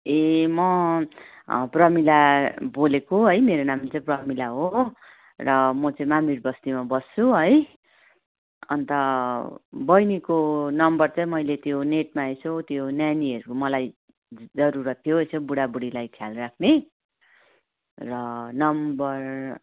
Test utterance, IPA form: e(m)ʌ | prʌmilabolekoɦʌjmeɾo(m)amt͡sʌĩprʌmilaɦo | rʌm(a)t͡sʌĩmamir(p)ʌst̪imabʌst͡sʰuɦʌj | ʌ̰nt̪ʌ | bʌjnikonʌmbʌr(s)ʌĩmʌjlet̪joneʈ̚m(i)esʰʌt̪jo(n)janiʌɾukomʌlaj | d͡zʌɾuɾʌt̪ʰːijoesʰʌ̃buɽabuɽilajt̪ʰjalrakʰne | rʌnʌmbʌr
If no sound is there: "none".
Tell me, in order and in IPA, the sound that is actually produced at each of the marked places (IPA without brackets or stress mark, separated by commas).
m, n, ʌ, b, t͡s, a, n